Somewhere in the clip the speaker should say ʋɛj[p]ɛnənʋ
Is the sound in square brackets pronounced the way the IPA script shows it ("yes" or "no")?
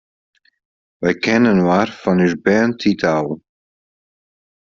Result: no